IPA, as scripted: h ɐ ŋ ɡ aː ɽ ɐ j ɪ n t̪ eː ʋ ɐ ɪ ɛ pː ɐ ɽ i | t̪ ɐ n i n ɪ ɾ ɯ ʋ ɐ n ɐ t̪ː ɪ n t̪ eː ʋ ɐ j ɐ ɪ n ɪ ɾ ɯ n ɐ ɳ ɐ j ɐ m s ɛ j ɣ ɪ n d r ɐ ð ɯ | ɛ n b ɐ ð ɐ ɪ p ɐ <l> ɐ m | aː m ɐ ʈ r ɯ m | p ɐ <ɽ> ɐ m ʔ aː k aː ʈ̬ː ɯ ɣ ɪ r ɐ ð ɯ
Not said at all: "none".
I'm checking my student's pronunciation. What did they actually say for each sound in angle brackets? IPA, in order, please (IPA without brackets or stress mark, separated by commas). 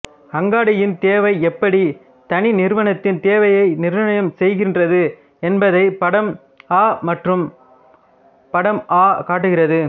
ɽ, ɽ